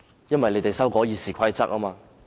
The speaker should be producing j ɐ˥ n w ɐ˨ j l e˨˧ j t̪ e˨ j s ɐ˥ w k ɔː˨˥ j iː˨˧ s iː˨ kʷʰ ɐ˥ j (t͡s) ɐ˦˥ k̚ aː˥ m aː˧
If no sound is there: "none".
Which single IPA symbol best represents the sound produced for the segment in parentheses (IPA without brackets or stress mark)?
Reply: t͡s